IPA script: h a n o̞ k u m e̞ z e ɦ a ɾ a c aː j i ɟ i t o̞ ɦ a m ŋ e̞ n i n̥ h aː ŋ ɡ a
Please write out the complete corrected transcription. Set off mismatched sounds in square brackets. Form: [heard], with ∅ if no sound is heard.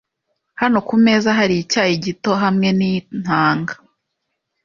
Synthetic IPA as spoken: h a n o̞ k u m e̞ z [a] ɦ a ɾ [i] c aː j i ɟ i t o̞ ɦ a m ŋ e̞ n i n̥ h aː ŋ ɡ a